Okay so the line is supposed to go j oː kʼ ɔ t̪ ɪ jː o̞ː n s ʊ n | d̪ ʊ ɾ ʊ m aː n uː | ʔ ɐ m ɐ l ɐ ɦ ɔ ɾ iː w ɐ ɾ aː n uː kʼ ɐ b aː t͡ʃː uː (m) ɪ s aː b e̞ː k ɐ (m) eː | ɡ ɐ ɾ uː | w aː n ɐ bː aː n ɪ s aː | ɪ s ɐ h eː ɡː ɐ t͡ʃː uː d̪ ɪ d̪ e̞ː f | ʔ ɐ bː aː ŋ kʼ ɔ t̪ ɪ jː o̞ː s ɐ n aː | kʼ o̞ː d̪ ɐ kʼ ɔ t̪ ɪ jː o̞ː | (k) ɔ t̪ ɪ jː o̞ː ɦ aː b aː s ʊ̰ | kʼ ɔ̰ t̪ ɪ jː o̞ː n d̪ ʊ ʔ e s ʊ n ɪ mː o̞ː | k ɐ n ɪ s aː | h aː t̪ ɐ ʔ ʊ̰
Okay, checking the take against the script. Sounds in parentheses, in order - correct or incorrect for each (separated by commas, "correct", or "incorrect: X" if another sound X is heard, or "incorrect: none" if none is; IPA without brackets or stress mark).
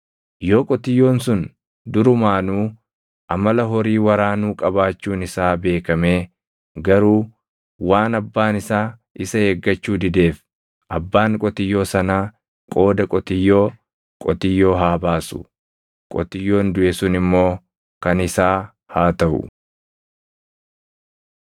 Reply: incorrect: n, correct, incorrect: kʼ